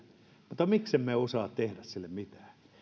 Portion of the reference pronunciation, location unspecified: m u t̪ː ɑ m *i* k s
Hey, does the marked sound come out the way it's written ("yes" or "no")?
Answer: yes